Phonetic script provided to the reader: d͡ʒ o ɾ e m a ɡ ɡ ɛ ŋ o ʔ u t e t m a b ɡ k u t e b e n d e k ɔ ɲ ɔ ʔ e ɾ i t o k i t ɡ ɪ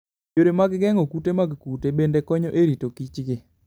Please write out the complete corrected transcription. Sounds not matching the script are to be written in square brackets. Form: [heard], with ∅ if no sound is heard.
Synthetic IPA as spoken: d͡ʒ o ɾ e m a ɡ ɡ ɛ ŋ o [k] u t e [∅] m a [∅] ɡ k u t e b e n d e k ɔ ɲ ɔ ʔ e ɾ i t o k i [t͡ʃ] ɡ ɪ